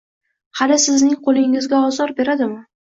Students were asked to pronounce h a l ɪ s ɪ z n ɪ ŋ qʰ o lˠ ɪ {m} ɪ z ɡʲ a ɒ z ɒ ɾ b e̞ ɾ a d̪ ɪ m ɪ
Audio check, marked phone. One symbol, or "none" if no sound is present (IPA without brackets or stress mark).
ŋ